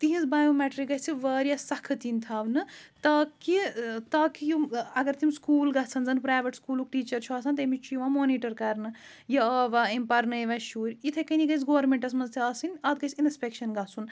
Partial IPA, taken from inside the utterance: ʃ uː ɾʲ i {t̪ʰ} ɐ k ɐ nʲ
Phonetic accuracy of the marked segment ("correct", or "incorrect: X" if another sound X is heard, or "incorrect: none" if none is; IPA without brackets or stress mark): correct